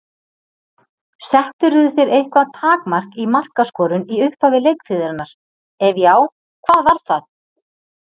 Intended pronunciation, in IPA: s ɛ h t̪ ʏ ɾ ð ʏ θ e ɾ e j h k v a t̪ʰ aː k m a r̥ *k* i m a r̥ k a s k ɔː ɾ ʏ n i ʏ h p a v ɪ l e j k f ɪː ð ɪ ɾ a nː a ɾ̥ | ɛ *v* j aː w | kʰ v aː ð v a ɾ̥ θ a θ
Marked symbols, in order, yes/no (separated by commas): yes, yes